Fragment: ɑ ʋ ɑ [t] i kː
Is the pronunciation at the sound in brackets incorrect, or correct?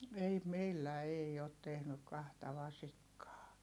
incorrect